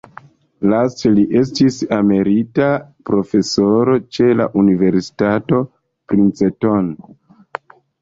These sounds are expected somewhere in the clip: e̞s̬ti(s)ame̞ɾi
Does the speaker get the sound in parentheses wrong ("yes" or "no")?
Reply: no